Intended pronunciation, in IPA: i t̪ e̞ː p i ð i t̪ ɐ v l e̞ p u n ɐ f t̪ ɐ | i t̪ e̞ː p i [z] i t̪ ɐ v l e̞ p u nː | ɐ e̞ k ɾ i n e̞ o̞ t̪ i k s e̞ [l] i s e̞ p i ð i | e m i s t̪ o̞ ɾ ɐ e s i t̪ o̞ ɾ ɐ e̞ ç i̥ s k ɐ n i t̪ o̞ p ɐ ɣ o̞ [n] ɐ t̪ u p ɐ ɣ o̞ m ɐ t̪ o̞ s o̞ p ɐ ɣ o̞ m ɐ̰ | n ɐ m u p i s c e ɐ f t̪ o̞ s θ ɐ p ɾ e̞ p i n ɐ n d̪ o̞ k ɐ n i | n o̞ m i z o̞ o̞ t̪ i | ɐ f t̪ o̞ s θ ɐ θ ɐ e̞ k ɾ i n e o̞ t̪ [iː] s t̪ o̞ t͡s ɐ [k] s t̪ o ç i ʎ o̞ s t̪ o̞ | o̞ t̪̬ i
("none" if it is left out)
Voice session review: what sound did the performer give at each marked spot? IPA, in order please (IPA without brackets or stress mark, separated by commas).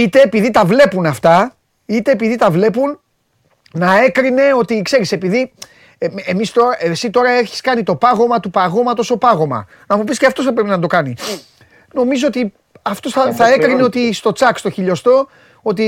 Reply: ð, ɾ, m, i, k